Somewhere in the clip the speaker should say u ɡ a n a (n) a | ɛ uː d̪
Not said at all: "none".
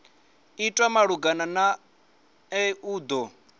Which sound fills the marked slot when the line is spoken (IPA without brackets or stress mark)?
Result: n